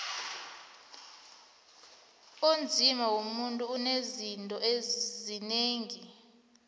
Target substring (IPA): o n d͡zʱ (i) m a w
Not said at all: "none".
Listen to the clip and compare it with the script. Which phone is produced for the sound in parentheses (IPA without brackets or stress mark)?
i